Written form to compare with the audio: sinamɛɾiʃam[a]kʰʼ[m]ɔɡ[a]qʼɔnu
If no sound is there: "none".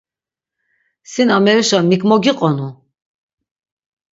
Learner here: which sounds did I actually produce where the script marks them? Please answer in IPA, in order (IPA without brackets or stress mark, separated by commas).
i, m, i